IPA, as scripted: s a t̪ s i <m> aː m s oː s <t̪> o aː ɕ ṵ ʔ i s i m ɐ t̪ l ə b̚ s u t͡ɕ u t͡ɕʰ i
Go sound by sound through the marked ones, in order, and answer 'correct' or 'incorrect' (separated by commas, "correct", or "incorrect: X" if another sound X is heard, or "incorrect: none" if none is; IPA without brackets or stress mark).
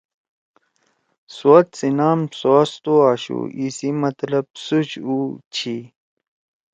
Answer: incorrect: n, correct